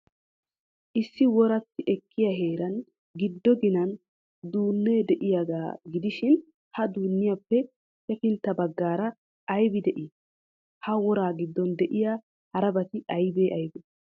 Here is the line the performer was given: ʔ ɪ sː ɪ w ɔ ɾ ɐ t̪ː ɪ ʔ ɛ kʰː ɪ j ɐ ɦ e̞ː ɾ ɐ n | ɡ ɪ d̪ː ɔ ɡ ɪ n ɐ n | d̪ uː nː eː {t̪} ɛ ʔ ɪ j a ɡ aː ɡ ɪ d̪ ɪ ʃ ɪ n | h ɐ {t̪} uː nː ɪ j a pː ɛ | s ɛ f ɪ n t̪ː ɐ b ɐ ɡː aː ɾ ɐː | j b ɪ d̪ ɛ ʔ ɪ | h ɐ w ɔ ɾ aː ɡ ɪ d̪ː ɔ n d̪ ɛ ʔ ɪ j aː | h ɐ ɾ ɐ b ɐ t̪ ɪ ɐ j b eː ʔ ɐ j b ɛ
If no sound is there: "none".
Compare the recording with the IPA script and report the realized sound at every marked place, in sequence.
d̪, d̪

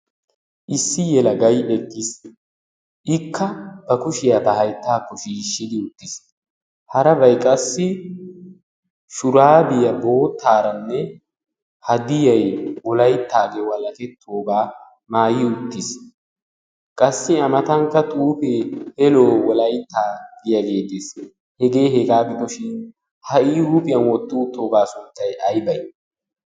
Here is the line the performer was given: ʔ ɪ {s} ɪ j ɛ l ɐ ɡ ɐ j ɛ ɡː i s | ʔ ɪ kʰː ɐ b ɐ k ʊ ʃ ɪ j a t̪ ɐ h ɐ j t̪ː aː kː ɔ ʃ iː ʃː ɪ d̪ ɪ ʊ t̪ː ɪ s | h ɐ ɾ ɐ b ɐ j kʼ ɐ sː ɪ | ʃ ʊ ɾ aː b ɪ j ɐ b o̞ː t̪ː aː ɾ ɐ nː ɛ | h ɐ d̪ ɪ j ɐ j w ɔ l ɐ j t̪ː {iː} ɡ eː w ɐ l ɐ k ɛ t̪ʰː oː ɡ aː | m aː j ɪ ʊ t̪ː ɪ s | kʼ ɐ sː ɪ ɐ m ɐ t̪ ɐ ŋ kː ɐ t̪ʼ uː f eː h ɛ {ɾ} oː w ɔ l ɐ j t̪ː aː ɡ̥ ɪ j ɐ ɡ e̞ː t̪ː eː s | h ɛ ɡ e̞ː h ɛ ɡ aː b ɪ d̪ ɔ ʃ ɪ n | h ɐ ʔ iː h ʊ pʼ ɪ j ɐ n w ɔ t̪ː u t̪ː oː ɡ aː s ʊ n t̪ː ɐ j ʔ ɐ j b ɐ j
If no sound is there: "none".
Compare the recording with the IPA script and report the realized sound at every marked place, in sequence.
sː, aː, l

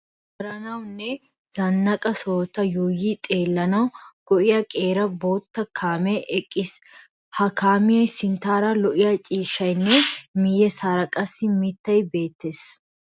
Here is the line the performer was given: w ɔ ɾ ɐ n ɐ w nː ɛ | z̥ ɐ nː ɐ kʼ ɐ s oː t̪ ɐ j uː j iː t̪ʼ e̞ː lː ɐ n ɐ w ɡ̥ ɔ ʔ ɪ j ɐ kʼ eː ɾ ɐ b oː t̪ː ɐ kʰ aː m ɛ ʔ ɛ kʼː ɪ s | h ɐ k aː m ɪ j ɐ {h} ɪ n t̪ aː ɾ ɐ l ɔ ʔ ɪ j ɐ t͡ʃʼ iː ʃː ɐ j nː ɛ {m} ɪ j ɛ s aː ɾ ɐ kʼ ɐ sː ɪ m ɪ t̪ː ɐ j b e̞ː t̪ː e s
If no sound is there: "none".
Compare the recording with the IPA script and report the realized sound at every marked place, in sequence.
s, m

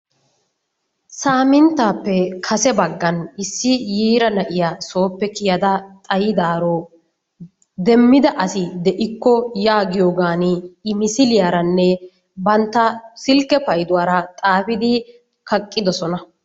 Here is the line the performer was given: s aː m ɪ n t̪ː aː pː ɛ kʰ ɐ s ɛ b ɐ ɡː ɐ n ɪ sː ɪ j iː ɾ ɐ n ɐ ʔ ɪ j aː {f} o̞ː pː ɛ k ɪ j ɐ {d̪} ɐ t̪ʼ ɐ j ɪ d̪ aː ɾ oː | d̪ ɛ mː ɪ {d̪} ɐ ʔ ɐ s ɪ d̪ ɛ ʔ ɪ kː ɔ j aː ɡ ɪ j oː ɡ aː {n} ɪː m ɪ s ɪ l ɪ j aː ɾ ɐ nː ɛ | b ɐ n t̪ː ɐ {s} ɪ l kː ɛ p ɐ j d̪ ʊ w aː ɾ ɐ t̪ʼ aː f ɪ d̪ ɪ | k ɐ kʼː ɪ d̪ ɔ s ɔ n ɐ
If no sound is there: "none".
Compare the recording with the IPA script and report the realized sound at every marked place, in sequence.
s, d̪, d̪, n, s

